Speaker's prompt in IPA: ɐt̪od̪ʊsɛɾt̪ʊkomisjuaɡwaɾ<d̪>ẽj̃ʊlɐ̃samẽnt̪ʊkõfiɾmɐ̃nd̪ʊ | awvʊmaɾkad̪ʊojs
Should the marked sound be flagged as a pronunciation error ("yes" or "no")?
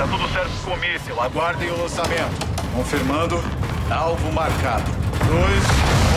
no